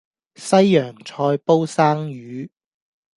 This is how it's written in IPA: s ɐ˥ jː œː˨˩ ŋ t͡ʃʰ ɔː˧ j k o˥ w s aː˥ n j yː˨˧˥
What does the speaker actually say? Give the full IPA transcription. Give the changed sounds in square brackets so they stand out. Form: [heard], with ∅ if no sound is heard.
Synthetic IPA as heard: s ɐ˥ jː œː˨˩ ŋ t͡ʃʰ ɔː˧ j [p] o˥ w s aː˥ [ŋ] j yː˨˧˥